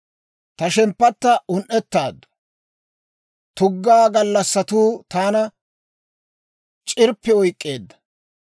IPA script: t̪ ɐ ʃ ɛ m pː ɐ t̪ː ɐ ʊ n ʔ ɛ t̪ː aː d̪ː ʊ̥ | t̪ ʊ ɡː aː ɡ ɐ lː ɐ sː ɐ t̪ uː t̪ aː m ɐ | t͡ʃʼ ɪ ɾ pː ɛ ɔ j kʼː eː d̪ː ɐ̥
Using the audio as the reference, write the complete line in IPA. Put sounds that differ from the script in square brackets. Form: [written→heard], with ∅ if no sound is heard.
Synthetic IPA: t̪ ɐ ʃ ɛ m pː ɐ t̪ː ɐ ʊ n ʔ ɛ t̪ː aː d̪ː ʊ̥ | t̪ ʊ ɡː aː ɡ ɐ lː ɐ sː ɐ t̪ uː t̪ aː [m→n] ɐ | t͡ʃʼ ɪ ɾ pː ɛ ɔ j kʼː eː d̪ː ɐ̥